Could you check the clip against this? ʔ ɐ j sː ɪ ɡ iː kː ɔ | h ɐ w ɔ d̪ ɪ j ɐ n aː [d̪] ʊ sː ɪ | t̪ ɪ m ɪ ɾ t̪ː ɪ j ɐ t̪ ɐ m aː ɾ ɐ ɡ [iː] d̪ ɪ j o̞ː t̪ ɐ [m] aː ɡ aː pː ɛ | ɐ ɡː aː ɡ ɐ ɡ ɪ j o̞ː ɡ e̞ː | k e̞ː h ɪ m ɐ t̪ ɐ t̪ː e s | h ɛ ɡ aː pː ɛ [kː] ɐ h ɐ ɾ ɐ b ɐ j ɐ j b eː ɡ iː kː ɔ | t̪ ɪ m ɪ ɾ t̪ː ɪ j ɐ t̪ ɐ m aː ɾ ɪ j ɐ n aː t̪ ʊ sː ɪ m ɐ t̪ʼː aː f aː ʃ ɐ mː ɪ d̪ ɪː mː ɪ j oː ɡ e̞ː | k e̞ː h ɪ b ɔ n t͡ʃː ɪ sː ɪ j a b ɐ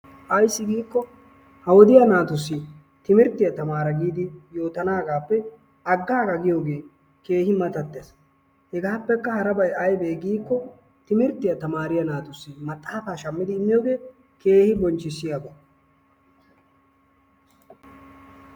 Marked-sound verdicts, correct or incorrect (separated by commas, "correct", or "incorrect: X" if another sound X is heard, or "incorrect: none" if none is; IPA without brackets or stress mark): incorrect: t̪, correct, incorrect: n, correct